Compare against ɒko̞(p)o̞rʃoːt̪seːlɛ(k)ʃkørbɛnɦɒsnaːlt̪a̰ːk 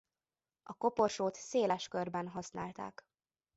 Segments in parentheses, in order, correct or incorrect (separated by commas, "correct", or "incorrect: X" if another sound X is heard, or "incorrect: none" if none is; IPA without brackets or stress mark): correct, incorrect: none